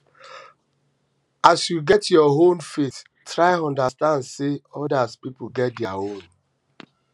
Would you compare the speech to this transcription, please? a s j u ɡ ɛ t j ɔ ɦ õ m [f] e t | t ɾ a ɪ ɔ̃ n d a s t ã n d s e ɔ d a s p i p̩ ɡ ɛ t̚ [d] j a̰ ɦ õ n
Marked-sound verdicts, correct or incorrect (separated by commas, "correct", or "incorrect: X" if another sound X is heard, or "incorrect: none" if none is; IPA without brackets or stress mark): correct, correct